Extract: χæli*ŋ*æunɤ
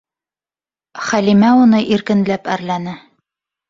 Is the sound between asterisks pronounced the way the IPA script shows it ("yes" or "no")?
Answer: no